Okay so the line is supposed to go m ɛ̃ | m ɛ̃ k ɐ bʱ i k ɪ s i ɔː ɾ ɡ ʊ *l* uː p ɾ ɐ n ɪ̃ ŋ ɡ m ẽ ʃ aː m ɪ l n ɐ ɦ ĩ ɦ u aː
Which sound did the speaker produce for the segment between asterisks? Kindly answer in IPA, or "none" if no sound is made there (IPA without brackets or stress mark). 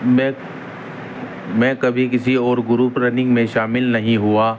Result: ɾ